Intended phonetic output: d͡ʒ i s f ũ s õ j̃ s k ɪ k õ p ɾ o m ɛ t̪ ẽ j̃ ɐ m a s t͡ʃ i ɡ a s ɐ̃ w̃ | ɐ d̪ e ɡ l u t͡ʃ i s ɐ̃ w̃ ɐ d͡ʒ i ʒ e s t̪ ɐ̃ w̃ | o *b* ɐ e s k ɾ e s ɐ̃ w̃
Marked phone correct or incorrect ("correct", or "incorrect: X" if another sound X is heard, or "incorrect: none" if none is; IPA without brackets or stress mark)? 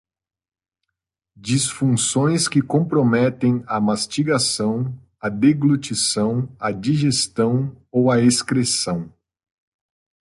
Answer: incorrect: w